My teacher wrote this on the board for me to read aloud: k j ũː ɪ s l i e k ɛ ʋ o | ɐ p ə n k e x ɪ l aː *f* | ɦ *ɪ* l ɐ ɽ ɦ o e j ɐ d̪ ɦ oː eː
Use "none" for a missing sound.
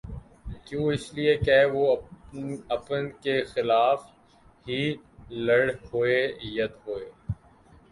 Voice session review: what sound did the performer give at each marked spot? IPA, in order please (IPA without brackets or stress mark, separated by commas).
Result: f, i